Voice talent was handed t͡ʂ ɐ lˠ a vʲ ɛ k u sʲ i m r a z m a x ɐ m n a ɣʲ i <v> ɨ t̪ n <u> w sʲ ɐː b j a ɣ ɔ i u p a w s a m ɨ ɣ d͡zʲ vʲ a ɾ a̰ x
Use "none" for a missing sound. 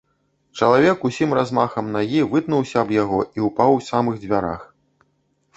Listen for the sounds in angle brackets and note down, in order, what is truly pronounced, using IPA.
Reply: v, u

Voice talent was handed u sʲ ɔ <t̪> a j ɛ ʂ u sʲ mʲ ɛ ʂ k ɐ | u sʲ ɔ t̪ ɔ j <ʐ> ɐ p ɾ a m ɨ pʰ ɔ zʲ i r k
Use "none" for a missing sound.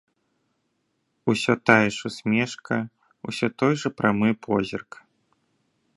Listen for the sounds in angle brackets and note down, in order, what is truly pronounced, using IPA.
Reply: t̪, ʐ

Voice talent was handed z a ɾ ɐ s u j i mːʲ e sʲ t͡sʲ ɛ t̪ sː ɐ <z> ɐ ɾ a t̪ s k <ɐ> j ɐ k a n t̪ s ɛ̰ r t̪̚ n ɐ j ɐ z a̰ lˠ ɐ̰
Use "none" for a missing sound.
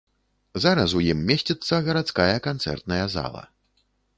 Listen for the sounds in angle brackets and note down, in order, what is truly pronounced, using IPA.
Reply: ɣ, a

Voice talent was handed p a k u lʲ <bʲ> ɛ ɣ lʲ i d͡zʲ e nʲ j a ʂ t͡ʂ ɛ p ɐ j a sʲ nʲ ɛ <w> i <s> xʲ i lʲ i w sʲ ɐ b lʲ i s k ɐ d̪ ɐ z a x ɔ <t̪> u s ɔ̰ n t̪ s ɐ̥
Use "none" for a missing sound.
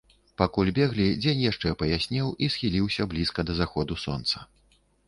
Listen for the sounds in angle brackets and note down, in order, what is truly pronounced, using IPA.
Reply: bʲ, w, s, d̪

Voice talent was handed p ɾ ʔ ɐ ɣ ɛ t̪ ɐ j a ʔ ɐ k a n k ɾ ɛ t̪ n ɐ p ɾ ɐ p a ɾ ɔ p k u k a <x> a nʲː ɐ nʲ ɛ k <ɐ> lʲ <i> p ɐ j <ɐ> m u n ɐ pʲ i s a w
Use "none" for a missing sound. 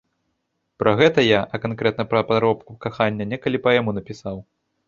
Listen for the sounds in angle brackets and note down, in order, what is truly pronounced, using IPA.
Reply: x, ɐ, i, a

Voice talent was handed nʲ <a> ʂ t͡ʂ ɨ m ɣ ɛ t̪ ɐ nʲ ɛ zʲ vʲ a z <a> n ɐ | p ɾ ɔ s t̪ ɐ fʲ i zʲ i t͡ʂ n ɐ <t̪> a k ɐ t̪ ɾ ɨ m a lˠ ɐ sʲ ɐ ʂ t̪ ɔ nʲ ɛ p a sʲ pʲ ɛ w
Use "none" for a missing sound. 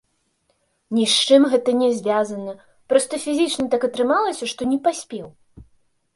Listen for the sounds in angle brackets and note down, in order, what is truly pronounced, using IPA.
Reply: i, ɐ, t̪

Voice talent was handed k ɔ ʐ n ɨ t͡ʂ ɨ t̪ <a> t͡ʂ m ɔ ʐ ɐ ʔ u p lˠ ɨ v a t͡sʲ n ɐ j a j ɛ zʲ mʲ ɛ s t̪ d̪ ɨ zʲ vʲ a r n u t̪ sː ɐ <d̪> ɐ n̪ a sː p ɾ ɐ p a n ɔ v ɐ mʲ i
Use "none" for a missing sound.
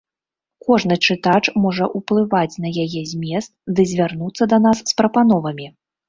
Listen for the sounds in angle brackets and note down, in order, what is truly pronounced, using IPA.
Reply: a, d̪

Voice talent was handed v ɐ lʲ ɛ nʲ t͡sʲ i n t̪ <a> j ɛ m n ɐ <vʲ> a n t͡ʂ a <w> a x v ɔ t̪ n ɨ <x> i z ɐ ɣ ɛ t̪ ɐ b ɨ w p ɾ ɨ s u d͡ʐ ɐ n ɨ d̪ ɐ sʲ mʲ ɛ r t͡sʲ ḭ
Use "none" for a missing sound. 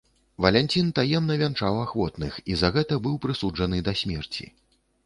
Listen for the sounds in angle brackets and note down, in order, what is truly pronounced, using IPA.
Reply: a, vʲ, w, x

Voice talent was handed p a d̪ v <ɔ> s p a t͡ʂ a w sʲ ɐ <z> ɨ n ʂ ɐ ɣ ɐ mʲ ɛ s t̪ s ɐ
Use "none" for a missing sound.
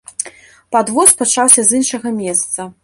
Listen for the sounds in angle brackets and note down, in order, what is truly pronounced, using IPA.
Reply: ɔ, z

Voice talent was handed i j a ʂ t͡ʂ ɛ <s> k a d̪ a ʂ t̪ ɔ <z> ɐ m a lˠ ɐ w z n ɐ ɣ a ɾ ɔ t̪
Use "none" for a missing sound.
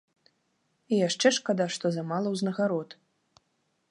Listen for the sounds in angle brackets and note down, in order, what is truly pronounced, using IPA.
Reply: ʂ, z

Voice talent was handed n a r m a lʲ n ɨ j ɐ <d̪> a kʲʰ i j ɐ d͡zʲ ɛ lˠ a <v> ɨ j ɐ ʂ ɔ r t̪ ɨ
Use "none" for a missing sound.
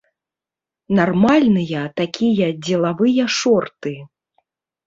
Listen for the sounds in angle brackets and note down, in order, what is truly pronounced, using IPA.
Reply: t̪, v

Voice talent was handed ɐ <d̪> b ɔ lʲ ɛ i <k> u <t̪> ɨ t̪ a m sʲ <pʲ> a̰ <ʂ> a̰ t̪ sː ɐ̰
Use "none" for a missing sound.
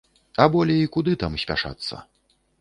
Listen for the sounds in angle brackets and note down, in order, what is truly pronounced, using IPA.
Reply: none, k, d̪, pʲ, ʂ

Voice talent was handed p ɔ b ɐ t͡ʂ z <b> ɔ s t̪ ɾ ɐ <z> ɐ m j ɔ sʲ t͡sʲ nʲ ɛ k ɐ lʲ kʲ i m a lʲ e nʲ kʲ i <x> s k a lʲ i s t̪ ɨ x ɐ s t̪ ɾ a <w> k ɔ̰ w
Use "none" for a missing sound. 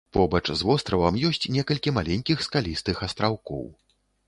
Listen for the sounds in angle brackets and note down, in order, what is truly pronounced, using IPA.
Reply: v, v, x, w

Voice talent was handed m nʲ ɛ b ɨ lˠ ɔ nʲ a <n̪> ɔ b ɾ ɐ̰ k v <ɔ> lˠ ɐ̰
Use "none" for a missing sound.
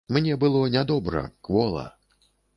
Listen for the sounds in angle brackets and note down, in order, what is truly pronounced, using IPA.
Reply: d̪, ɔ

